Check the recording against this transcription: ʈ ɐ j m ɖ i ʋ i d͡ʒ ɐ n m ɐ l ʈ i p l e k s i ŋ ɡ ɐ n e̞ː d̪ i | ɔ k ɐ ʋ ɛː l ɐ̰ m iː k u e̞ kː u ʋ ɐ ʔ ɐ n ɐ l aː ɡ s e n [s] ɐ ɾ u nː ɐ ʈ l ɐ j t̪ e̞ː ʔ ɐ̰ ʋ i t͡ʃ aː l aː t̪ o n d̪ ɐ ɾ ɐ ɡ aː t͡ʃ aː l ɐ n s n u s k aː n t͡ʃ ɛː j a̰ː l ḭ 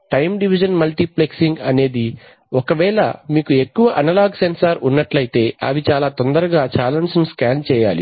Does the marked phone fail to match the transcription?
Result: no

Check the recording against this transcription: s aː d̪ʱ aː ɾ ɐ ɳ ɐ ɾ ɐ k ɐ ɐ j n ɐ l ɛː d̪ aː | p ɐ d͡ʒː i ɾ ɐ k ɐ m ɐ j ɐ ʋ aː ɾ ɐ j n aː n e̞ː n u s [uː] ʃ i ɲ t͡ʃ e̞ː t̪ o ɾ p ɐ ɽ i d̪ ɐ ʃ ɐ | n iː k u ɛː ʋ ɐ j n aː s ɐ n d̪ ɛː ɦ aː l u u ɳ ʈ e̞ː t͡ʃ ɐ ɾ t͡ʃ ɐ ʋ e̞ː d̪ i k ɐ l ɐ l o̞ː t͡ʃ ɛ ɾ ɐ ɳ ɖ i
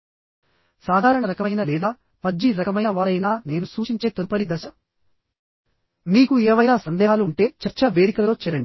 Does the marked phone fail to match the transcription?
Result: no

